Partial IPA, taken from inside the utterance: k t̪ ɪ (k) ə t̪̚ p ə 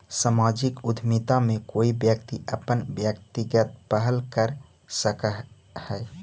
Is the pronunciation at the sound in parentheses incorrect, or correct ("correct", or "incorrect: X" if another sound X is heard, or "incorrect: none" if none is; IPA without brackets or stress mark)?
incorrect: ɡ